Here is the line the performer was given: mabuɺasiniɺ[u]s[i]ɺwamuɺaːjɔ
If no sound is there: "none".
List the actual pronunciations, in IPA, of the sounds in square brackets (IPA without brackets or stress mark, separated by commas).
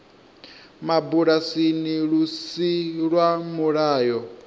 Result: u, i